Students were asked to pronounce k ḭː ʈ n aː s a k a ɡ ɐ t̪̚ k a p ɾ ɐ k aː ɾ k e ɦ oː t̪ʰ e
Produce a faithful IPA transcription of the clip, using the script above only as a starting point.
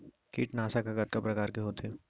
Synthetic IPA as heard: k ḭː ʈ n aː s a k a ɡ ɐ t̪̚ k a p ɾ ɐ k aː ɾ k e ɦ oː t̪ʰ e